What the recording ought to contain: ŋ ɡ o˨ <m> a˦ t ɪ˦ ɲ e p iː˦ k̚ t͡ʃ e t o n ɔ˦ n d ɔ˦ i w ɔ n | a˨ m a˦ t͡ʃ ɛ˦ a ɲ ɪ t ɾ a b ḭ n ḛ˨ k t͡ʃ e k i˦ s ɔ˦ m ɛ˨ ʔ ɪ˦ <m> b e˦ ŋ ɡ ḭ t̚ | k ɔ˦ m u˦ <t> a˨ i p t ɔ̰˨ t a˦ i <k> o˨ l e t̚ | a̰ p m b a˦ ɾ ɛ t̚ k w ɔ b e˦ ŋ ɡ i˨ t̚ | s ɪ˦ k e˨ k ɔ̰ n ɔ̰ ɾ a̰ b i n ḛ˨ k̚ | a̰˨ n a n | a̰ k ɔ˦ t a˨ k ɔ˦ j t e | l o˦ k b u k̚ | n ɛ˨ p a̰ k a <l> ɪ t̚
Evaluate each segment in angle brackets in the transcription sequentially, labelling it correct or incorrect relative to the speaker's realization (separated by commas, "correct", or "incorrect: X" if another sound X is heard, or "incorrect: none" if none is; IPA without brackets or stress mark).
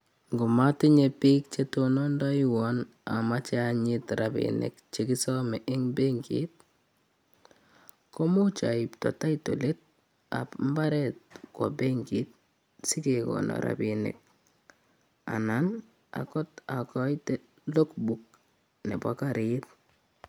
correct, incorrect: ŋ, incorrect: t͡ʃ, incorrect: t, incorrect: ɾ